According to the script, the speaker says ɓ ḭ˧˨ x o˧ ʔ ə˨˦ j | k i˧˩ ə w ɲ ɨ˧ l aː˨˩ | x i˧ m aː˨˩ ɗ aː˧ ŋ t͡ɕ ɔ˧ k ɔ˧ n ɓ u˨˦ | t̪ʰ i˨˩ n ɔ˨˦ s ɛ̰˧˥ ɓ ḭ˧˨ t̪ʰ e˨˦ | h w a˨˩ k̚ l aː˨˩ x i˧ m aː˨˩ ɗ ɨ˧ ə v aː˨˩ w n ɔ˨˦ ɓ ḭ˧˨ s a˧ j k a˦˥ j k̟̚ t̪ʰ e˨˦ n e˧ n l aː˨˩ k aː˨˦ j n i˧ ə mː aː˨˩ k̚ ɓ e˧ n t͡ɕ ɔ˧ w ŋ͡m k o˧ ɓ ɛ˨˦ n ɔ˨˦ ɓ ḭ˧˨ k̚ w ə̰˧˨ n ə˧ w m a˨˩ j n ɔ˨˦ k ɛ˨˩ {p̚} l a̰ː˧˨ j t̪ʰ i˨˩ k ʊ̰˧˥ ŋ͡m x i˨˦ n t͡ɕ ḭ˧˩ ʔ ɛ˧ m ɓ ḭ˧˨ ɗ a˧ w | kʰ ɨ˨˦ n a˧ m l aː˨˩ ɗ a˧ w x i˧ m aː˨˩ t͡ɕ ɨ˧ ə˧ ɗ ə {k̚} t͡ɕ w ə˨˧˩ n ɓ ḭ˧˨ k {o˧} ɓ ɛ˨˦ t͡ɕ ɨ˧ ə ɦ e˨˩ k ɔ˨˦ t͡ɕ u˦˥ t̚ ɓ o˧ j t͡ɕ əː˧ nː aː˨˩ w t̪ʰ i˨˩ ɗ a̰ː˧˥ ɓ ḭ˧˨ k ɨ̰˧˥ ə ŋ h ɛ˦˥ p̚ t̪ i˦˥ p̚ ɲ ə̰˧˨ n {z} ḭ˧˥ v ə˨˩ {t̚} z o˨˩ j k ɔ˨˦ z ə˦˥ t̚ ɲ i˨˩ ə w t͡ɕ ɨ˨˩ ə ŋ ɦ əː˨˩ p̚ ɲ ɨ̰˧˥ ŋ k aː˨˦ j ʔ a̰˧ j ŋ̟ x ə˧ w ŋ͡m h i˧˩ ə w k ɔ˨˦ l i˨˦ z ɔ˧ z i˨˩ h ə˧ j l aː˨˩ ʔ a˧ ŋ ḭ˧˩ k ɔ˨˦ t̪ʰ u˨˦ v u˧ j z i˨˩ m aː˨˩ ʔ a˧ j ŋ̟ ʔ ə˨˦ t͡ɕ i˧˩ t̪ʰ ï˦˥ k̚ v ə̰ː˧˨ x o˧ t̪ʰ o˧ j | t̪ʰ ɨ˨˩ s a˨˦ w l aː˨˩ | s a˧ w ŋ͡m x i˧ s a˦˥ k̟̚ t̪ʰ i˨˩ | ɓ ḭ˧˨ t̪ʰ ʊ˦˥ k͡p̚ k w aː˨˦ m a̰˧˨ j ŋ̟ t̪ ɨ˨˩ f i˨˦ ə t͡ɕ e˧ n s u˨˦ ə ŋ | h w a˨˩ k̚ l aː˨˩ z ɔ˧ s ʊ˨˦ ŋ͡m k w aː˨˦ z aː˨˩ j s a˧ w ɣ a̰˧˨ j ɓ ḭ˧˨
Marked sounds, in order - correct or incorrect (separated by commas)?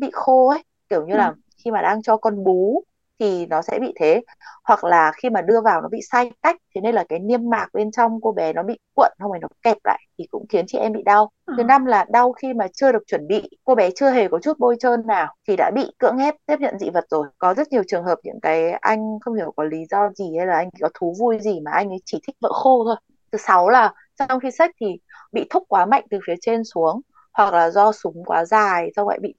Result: correct, correct, correct, correct, correct